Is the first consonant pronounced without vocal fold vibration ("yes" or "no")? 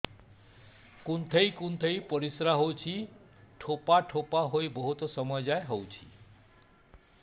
yes